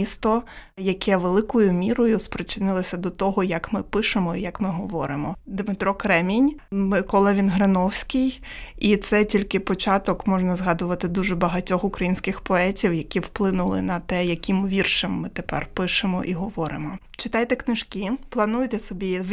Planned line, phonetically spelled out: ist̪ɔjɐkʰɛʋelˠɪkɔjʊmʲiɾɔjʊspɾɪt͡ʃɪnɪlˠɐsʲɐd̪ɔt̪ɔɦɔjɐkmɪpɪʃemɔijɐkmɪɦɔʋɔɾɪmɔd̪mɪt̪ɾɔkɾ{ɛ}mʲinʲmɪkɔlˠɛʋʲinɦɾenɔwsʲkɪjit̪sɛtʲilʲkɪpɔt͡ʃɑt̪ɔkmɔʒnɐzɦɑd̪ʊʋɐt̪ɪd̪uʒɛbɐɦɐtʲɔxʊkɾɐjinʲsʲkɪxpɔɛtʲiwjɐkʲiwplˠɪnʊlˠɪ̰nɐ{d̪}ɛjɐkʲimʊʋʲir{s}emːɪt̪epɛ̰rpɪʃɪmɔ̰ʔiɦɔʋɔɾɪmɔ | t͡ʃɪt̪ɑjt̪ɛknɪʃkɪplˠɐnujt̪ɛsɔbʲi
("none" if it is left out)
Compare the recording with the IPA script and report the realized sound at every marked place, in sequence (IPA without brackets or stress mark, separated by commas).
ɛ, t̪, ʃ